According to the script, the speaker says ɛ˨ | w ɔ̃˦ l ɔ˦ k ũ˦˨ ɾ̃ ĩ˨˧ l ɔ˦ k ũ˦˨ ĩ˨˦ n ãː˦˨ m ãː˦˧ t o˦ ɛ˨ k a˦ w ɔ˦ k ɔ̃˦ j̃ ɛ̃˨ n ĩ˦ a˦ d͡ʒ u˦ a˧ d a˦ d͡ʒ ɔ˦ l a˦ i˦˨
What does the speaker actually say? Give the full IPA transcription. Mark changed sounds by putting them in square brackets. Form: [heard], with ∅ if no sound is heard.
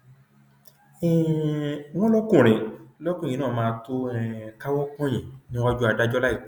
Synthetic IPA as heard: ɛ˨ | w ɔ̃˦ l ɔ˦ k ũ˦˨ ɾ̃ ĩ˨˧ l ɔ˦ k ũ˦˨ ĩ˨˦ n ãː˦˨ m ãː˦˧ t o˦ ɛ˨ k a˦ w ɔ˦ k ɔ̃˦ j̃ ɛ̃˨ n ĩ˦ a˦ d͡ʒ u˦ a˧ d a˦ d͡ʒ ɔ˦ l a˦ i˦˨